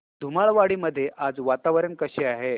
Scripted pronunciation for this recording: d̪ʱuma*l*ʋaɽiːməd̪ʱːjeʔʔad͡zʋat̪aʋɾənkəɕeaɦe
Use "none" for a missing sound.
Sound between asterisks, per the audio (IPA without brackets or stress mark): ɭ